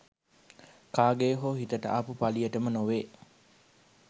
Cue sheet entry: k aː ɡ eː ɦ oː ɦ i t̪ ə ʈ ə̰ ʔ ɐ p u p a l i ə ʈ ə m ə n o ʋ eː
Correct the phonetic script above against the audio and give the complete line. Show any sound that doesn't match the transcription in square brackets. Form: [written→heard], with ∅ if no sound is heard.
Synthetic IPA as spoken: k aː ɡ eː ɦ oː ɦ i t̪ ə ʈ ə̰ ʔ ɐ p u p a l i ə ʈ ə m ə n o ʋ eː